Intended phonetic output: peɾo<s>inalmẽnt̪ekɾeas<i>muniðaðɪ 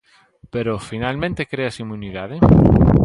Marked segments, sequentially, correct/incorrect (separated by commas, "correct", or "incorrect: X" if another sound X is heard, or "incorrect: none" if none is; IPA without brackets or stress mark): incorrect: f, correct